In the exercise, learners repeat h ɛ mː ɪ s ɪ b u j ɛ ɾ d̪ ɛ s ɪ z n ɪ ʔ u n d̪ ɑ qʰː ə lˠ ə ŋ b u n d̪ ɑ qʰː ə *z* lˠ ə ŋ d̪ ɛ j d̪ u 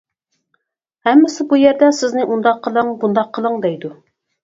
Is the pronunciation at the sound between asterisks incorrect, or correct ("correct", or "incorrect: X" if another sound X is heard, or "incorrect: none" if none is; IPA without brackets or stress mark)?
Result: incorrect: none